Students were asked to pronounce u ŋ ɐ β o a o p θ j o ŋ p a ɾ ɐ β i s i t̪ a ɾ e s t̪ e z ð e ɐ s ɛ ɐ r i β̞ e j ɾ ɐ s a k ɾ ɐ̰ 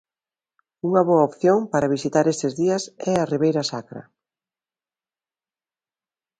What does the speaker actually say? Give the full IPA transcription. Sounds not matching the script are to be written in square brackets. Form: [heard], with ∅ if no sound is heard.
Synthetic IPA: u ŋ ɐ β o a o p θ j o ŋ p a ɾ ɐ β i s i t̪ a ɾ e s t̪ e z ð [i] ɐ s ɛ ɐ r i β̞ e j ɾ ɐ s a k ɾ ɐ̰

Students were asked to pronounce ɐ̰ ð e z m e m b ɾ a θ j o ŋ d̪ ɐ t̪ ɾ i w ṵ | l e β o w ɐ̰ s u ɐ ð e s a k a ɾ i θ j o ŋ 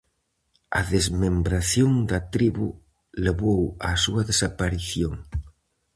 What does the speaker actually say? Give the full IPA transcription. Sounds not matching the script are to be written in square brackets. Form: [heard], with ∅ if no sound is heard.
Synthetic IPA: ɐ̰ ð e z m e m b ɾ a θ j o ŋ d̪ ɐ t̪ ɾ i [β] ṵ | l e β o w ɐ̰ s u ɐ ð e s a [p] a ɾ i θ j o ŋ

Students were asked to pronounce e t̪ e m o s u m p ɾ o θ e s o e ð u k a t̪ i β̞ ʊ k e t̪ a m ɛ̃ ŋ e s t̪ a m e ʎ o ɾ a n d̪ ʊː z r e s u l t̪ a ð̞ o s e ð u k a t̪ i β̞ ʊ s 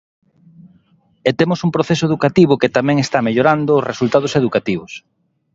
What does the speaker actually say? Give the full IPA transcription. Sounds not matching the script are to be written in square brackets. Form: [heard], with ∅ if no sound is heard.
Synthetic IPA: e t̪ e m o s u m p ɾ o θ e s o e ð u k a t̪ i β̞ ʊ k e t̪ a m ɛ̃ ŋ e s t̪ a m e ʎ o ɾ a n d̪ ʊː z r e s u l t̪ a ð̞ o s e ð u k a t̪ i β̞ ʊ s

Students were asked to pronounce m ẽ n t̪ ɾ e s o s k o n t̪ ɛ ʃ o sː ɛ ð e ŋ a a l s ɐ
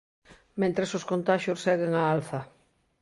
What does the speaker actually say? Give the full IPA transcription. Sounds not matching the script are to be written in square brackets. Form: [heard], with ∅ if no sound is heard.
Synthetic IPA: m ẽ n t̪ ɾ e s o s k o n t̪ [a] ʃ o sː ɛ [ɣ] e ŋ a a l [θ] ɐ

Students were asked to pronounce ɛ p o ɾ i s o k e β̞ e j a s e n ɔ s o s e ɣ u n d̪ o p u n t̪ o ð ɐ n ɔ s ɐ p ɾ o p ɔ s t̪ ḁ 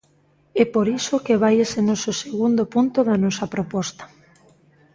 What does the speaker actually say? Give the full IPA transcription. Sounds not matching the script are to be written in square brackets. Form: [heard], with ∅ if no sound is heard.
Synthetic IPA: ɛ p o ɾ i s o k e β̞ [a] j [e] s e n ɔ s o s e ɣ u n d̪ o p u n t̪ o ð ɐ n ɔ s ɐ p ɾ o p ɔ s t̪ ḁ

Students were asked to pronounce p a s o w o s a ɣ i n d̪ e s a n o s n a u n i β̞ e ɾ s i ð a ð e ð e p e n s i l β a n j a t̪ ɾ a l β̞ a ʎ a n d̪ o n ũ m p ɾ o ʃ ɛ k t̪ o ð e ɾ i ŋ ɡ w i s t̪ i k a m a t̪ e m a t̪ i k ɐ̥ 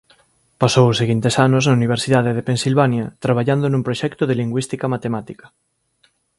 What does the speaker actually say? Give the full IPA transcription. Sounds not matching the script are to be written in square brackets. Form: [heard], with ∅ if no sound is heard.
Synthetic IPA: p a s o w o s [e] ɣ i n [t̪] e s a n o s n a u n i β̞ e ɾ s i ð a ð e ð e p e n s i l β a n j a t̪ ɾ a [∅] β̞ a ʎ a n d̪ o n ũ m p ɾ o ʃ ɛ k t̪ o ð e [l] i ŋ ɡ w i s t̪ i k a m a t̪ e m a t̪ i k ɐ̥

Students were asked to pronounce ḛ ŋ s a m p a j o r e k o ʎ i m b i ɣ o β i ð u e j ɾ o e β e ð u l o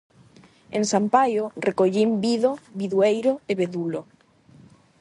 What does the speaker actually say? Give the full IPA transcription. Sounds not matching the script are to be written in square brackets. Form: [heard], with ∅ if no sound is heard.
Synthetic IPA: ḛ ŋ s a m p a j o r e k o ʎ i m b i [ð] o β i ð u e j ɾ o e β e ð u l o

